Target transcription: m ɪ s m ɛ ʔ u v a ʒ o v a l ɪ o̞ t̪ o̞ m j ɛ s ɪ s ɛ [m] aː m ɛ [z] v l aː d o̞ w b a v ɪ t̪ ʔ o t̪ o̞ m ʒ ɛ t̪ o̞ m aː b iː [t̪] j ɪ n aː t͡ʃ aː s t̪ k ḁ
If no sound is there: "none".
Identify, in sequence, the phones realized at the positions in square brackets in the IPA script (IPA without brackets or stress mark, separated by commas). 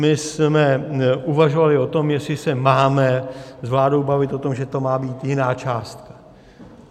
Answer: m, z, t̪